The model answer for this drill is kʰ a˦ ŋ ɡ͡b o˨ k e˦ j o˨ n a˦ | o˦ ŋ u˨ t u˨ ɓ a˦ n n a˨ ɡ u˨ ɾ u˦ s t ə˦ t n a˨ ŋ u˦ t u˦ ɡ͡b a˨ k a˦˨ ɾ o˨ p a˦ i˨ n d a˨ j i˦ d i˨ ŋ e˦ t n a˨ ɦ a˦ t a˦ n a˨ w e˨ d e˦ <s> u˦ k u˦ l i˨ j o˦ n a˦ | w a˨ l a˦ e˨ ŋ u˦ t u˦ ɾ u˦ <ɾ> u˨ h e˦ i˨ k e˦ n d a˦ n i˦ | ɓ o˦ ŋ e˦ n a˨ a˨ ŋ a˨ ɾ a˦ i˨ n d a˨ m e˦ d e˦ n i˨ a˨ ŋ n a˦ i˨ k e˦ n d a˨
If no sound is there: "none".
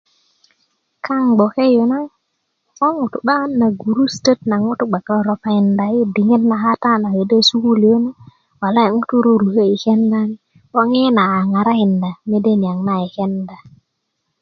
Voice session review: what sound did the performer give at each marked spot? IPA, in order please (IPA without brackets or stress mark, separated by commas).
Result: s, ɾ